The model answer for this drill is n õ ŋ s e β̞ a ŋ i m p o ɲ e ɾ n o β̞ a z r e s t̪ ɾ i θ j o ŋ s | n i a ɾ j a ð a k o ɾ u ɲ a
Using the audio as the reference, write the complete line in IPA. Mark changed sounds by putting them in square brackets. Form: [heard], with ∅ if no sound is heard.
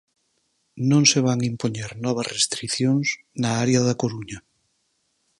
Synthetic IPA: n õ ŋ s e β̞ a ŋ i m p o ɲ e ɾ n [ɔ] β̞ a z r e s t̪ ɾ i θ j o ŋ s | n [a] a ɾ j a ð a k o ɾ u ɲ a